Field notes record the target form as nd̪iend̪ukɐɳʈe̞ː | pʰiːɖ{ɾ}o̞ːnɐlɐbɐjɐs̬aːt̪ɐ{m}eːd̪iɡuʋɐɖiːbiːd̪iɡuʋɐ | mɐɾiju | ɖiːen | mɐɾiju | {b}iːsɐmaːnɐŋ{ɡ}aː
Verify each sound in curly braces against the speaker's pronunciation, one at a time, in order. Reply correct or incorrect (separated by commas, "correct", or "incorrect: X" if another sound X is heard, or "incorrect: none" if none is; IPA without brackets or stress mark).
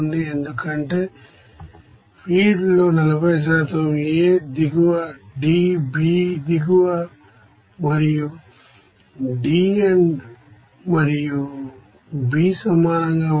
incorrect: l, correct, correct, correct